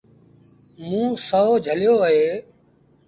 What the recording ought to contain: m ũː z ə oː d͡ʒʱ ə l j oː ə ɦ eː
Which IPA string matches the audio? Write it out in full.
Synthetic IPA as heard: m ũː s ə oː d͡ʒʱ ə l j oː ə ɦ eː

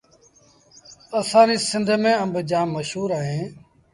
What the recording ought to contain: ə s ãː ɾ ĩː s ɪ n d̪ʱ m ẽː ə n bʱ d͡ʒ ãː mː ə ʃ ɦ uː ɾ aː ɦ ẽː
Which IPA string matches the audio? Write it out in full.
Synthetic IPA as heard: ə s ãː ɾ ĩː s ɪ n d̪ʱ m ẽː ə m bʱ d͡ʒ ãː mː ə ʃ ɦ uː ɾ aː ɦ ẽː

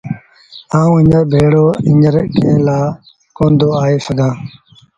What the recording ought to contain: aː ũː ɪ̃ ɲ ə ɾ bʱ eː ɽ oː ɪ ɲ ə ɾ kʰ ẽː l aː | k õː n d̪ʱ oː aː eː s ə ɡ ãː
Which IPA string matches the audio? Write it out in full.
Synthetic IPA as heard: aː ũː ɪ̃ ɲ ə ɾ bʱ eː ɽ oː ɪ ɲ ə ɾ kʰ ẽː l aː | k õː n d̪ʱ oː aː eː s ə ɡ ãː

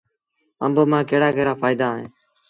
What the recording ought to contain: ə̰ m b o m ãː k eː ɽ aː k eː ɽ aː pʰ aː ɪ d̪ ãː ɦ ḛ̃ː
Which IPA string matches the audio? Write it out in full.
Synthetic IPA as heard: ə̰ m b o m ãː k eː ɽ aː k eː ɽ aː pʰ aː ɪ d̪ aː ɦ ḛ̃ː

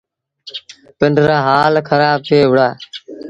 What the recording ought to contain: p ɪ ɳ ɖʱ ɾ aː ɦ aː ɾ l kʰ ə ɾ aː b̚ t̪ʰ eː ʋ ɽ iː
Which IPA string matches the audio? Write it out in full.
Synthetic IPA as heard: p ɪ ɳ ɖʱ ɾ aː ɦ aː l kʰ ə ɾ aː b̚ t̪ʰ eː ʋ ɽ aː

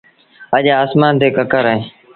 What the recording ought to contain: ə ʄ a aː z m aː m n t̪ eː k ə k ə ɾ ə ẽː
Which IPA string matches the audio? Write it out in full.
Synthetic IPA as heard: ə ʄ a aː s m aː n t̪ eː k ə k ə ɾ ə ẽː

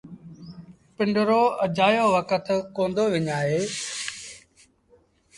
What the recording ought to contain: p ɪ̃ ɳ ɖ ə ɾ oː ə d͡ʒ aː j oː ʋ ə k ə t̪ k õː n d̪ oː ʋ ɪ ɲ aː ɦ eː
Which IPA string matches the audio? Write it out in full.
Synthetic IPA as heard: p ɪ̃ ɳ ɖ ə ɾ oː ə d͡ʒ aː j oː ʋ ə k ə t̪ k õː n d̪ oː ʋ ɪ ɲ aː ɦ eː

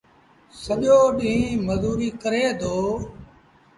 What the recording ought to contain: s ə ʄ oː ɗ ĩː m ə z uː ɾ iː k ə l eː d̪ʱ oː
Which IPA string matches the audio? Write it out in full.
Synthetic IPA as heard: s ə ʄ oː ɗ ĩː m ə z uː ɾ iː k ə ɾ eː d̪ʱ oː

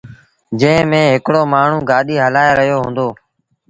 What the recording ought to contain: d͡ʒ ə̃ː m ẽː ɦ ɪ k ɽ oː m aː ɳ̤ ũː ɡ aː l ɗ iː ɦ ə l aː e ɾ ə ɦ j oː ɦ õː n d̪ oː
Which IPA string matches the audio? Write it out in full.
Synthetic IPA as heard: d͡ʒ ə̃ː m ẽː ɦ ɪ k ɽ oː m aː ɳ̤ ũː ɡ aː ɗ iː ɦ ə l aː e ɾ ə ɦ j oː ɦ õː n d̪ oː

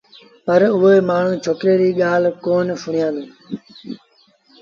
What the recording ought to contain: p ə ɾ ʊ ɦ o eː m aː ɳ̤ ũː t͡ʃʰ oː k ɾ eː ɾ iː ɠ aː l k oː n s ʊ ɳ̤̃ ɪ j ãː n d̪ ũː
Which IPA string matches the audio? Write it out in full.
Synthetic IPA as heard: p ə ɾ ʊ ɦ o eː m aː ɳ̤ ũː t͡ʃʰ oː k ɾ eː ɾ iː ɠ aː l k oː n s ʊ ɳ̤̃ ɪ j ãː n d̪ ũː

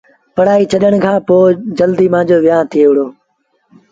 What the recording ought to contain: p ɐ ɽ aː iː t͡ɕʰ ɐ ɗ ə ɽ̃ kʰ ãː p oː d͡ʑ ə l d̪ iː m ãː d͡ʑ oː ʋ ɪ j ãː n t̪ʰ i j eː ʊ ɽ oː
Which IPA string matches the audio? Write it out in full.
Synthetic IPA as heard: p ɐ ɽ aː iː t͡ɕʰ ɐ ɗ ə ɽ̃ kʰ ãː p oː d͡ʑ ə l d̪ iː m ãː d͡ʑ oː ʋ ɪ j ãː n t̪ʰ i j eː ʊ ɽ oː

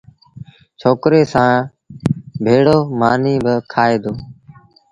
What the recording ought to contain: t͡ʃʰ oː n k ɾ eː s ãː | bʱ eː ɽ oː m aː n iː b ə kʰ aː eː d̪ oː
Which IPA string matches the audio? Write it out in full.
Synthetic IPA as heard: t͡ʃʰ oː k ɾ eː s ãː | bʱ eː ɽ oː m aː n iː b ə kʰ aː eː d̪ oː

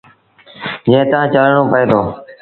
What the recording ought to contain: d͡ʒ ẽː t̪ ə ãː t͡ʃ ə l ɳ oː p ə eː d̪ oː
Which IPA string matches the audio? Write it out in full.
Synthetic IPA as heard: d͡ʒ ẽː t̪ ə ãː t͡ʃ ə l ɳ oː p ə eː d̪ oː

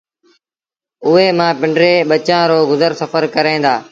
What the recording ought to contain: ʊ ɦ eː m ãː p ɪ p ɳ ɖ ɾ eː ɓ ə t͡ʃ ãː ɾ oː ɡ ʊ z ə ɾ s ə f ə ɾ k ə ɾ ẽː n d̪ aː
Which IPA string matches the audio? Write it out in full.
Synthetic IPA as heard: ʊ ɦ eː m ãː p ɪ ɳ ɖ ɾ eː ɓ ə t͡ʃ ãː ɾ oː ɡ ʊ z ə ɾ s ə f ə ɾ k ə ɾ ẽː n d̪ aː

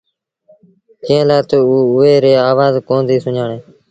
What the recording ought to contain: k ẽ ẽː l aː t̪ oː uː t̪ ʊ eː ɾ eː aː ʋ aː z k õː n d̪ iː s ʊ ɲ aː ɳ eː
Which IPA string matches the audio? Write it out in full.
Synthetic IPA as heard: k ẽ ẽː l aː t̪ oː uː ʊ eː ɾ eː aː ʋ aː z k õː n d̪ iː s ʊ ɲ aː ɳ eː

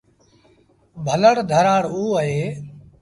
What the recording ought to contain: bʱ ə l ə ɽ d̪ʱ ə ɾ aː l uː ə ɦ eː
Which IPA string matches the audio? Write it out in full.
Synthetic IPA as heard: bʱ ə l ə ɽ d̪ʱ ə ɾ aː ɽ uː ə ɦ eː

